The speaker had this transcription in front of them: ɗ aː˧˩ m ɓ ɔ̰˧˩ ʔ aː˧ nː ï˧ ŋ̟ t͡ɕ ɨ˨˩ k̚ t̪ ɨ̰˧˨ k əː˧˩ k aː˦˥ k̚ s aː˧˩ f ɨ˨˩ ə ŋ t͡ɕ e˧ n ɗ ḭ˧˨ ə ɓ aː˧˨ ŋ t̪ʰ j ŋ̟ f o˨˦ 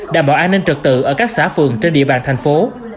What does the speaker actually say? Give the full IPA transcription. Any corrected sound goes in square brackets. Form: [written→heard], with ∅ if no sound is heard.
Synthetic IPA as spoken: ɗ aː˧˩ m ɓ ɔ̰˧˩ ʔ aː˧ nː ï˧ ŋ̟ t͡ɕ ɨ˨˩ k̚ t̪ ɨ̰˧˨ [k→ʔ] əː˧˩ k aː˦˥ k̚ s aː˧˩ f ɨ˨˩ ə ŋ t͡ɕ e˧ n ɗ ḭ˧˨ ə ɓ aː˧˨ [ŋ→n] t̪ʰ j ŋ̟ f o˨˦

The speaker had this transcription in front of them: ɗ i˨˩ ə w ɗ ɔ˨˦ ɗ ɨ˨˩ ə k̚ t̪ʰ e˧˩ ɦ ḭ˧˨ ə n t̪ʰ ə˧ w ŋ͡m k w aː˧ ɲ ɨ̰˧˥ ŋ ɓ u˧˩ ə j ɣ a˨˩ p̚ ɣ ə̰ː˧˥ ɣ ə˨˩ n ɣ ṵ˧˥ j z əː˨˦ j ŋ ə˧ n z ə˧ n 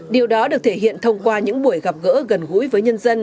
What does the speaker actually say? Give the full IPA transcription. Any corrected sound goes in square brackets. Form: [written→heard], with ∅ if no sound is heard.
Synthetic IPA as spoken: ɗ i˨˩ ə w ɗ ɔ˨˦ ɗ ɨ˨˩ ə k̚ t̪ʰ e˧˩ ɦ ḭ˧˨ ə n t̪ʰ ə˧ w ŋ͡m k w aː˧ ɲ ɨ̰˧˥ ŋ ɓ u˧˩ ə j ɣ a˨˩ p̚ ɣ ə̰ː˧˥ ɣ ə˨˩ n ɣ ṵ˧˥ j [z→v] əː˨˦ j [ŋ→ɲ] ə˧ n z ə˧ n

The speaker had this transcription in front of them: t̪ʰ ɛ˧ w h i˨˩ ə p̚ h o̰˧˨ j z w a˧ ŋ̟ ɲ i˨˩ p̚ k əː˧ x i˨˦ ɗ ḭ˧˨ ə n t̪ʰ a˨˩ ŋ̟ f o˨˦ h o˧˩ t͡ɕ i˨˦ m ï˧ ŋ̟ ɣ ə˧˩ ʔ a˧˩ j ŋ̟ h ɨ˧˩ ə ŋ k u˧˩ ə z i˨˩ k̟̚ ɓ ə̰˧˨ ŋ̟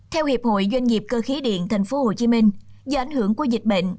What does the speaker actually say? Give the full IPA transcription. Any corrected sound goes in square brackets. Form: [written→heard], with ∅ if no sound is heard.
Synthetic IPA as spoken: t̪ʰ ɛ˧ w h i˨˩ ə p̚ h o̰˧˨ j z w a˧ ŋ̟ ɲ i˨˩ p̚ k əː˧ x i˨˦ ɗ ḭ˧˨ ə n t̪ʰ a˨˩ ŋ̟ f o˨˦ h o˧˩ t͡ɕ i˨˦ m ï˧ ŋ̟ [ɣ→z] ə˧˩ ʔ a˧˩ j ŋ̟ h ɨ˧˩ ə ŋ k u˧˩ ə z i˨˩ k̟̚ ɓ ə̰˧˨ ŋ̟

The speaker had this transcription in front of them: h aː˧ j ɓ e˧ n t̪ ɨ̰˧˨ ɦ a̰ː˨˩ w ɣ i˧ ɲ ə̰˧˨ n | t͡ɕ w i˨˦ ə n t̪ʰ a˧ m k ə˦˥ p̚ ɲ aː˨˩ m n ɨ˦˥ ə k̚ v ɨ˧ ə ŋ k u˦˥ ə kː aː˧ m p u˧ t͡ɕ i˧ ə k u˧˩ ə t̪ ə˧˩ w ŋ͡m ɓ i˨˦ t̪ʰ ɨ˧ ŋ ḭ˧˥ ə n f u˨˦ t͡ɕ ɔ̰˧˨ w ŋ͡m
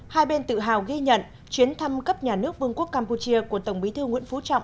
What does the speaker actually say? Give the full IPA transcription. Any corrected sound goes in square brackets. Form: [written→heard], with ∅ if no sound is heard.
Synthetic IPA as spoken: h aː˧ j ɓ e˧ n t̪ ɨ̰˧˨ ɦ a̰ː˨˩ w ɣ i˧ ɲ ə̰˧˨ n | t͡ɕ w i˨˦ ə n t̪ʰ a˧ m k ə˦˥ p̚ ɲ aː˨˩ [m→∅] n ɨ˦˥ ə k̚ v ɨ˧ ə ŋ k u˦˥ ə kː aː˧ m p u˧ t͡ɕ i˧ ə k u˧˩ ə t̪ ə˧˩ w ŋ͡m ɓ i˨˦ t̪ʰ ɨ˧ ŋ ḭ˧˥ ə n f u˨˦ t͡ɕ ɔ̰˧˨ w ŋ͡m

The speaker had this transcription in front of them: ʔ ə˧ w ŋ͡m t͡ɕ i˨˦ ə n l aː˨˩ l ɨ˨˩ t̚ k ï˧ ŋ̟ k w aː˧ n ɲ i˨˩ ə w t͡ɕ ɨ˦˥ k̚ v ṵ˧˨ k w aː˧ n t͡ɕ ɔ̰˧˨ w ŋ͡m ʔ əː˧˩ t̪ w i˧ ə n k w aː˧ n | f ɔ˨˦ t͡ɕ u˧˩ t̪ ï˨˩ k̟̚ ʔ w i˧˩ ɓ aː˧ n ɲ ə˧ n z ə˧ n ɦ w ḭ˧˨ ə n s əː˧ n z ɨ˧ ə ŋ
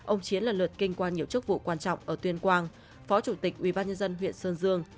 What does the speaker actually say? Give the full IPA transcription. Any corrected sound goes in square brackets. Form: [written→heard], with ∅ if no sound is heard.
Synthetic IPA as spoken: ʔ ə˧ w ŋ͡m t͡ɕ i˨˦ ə n l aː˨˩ l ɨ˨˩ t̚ k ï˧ ŋ̟ k w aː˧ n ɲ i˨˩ ə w t͡ɕ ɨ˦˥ k̚ v ṵ˧˨ k w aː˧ n t͡ɕ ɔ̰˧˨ w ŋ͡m ʔ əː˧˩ t̪ w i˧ ə n k w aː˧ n | f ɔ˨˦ t͡ɕ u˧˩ t̪ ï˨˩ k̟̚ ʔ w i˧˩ ɓ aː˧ n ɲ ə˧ n z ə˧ n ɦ w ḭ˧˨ ə n s əː˧ n z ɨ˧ ə ŋ

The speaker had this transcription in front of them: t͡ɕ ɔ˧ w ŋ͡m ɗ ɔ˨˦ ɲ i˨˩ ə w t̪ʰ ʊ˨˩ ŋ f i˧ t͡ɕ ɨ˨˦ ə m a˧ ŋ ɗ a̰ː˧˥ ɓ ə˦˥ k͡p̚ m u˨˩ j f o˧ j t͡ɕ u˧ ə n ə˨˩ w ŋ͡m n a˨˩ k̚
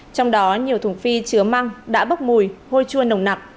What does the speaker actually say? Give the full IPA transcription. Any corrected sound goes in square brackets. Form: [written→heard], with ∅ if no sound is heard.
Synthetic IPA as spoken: t͡ɕ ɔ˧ w ŋ͡m ɗ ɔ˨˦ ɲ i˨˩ ə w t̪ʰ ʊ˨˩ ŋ f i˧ t͡ɕ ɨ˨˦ ə m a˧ ŋ ɗ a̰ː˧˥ ɓ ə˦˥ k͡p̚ m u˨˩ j [f→h] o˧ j t͡ɕ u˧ ə n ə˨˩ w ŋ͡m n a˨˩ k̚

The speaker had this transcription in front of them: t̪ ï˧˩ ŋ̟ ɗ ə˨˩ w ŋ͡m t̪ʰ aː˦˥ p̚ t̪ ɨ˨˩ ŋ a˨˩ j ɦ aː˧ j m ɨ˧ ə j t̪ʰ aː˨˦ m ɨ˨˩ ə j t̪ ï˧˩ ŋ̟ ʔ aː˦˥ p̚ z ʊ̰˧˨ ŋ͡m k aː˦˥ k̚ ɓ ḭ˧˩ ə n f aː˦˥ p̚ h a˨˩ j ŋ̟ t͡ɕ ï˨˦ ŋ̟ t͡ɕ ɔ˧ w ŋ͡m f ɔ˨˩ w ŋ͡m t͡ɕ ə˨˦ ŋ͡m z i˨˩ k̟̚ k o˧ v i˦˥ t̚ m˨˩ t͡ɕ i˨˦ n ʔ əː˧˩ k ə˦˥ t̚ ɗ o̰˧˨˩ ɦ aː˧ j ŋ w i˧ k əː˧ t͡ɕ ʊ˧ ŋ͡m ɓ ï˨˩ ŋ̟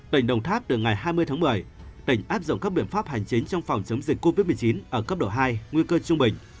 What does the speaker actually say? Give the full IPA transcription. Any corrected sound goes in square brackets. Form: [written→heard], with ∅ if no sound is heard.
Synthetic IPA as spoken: t̪ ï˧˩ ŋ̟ ɗ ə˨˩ w ŋ͡m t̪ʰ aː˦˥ p̚ t̪ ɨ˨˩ ŋ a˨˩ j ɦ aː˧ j m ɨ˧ ə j t̪ʰ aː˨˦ m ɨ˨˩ ə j t̪ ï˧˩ ŋ̟ ʔ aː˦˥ p̚ z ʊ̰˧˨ ŋ͡m k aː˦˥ k̚ ɓ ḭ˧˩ ə n f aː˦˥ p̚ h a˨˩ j ŋ̟ t͡ɕ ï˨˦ ŋ̟ t͡ɕ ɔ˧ w ŋ͡m f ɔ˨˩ w ŋ͡m t͡ɕ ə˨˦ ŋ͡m z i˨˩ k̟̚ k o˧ v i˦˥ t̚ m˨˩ t͡ɕ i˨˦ n ʔ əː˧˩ k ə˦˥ [t̚→p̚] ɗ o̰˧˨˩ ɦ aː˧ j ŋ w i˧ k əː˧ t͡ɕ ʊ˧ ŋ͡m ɓ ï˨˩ ŋ̟

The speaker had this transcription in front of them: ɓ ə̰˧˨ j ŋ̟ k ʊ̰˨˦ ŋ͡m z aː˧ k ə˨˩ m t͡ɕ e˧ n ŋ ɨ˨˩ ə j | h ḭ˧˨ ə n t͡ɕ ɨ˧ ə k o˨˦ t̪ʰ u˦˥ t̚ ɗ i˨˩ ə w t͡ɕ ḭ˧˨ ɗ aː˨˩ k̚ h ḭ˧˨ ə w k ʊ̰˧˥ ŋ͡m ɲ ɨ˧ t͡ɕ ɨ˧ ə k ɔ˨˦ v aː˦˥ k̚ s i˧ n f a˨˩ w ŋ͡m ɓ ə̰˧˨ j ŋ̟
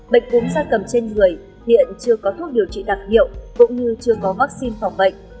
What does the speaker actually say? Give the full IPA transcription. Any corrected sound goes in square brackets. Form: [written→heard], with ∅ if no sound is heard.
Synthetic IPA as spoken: ɓ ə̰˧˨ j ŋ̟ k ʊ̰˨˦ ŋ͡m z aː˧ k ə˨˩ m t͡ɕ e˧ n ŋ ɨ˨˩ ə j | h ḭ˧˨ ə n t͡ɕ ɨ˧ ə k [o˨˦→ɔ˨˦] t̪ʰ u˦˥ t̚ ɗ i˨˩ ə w t͡ɕ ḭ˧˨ ɗ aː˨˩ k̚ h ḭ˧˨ ə w k ʊ̰˧˥ ŋ͡m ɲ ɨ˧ t͡ɕ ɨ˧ ə k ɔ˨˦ v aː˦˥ k̚ s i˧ n f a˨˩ w ŋ͡m ɓ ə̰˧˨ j ŋ̟

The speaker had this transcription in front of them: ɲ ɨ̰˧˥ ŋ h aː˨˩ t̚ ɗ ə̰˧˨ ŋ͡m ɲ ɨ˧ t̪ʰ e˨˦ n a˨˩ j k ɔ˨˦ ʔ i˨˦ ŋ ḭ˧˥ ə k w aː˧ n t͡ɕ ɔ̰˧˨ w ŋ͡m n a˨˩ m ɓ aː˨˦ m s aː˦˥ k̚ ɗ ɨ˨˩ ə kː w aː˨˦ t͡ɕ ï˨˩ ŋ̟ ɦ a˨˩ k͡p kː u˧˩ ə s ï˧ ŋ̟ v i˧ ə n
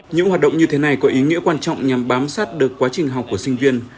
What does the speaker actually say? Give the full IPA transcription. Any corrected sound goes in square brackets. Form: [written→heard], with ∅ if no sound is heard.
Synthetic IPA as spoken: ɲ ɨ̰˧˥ ŋ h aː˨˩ t̚ ɗ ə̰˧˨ ŋ͡m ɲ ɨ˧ t̪ʰ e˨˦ n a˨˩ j k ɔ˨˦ ʔ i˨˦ ŋ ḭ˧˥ ə k w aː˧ n t͡ɕ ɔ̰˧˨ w ŋ͡m [n→ɲ] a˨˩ m ɓ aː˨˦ m s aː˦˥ [k̚→t̚] ɗ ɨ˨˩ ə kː w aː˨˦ t͡ɕ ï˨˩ ŋ̟ ɦ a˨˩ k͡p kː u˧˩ ə s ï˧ ŋ̟ v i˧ ə n

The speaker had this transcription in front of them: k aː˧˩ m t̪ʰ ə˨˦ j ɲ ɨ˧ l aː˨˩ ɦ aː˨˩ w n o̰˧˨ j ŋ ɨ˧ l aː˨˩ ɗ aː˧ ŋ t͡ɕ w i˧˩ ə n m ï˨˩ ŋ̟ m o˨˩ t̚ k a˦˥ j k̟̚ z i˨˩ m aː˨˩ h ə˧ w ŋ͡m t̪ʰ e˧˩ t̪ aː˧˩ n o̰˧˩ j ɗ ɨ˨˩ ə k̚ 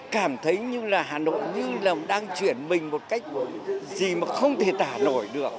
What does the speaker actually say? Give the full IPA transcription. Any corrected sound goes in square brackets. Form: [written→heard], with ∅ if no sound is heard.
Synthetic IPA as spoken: k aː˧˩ m t̪ʰ ə˨˦ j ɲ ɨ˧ l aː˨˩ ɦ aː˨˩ [w→∅] n o̰˧˨ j [ŋ→ɲ] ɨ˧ l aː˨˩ ɗ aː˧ ŋ t͡ɕ w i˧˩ ə n m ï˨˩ ŋ̟ m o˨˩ t̚ k a˦˥ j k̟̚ z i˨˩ m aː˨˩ [h→x] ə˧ w ŋ͡m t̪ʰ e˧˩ t̪ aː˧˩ n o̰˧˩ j ɗ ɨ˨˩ ə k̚

